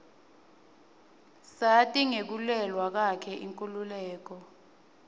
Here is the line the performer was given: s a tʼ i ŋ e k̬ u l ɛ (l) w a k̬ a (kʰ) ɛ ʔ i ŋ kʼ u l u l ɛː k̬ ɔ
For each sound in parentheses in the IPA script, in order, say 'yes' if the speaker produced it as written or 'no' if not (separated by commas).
yes, yes